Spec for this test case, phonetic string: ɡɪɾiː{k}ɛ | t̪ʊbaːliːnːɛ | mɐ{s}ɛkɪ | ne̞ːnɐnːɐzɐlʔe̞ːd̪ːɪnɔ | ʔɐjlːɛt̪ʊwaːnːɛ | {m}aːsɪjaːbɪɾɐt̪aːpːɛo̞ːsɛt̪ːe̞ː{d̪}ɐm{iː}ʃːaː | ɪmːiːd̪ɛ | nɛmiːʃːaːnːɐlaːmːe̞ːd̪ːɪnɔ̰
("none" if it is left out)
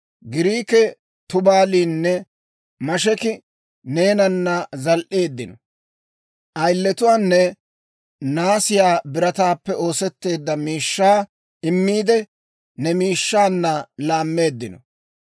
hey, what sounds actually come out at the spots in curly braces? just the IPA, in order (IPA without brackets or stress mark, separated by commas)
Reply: k, ʃ, n, d̪ː, iː